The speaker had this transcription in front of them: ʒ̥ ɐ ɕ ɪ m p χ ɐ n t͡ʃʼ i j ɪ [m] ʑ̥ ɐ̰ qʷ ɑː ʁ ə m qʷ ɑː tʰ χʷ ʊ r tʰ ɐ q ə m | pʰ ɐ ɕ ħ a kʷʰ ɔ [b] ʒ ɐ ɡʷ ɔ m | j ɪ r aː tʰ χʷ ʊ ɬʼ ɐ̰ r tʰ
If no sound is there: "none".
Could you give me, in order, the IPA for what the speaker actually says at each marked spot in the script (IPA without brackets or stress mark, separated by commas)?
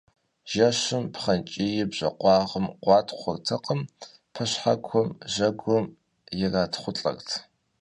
b, m